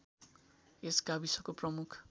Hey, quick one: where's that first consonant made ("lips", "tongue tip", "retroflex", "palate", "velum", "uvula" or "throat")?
tongue tip